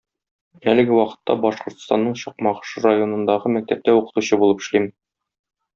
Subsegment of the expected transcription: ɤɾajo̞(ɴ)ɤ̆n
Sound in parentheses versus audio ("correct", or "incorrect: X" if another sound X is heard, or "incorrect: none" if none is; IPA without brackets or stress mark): incorrect: n